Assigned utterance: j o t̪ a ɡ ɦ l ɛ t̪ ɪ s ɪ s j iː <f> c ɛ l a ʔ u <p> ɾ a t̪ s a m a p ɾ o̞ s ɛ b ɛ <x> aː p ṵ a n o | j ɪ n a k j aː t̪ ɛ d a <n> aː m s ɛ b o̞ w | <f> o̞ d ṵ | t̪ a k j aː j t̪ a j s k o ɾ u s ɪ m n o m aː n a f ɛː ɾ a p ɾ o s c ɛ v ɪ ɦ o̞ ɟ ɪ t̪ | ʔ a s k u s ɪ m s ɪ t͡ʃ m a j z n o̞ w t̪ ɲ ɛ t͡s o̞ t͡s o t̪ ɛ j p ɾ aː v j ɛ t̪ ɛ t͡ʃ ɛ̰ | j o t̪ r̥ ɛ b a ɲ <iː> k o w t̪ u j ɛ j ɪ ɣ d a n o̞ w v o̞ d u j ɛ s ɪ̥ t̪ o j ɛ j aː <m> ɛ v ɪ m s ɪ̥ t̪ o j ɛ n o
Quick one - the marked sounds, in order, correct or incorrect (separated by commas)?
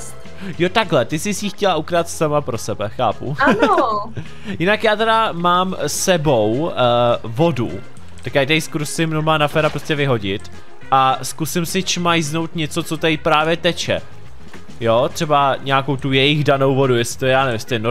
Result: incorrect, incorrect, correct, incorrect, incorrect, incorrect, incorrect